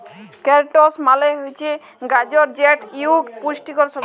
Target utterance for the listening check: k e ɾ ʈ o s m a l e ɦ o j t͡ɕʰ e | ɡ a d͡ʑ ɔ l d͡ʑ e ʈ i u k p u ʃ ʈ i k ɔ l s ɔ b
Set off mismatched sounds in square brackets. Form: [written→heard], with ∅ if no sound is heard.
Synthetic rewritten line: k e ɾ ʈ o s m a l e ɦ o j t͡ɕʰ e | ɡ a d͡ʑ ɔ [l→ɾ] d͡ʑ e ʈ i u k p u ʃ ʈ i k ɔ [l→ɾ] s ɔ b